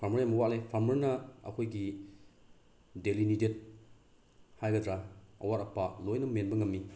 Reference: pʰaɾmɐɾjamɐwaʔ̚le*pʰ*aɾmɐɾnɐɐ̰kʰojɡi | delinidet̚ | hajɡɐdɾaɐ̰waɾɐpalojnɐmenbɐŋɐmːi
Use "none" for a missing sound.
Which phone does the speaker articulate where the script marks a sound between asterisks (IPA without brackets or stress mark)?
pʰ